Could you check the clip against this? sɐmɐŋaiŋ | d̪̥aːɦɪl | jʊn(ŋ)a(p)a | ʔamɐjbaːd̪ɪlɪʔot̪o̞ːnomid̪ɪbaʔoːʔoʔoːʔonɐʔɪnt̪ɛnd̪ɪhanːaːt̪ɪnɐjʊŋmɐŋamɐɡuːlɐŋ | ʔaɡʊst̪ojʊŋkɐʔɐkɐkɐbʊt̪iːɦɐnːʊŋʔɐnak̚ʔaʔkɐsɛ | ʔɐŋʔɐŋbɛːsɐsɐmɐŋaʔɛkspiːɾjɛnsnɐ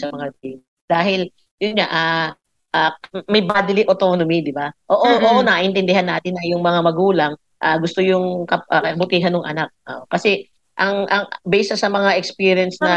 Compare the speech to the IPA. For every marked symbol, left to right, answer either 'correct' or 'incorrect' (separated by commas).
incorrect, incorrect